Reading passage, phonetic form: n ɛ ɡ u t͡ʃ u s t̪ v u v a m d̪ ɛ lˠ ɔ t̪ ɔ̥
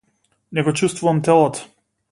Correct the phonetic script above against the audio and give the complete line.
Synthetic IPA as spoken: n ɛ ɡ ɔ t͡ʃ u s t̪ v u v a m t̪ ɛ lˠ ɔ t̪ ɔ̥